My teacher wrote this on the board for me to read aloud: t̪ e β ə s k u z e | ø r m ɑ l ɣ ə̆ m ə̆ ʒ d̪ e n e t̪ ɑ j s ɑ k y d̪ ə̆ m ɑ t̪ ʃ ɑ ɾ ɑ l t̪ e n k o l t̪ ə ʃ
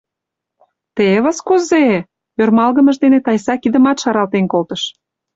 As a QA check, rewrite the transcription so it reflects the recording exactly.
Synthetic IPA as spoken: t̪ e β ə s k u z e | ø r m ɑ l ɣ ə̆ m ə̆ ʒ d̪ e n e t̪ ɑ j s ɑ k i d̪ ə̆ m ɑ t̪ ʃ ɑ ɾ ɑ l t̪ e n k o l t̪ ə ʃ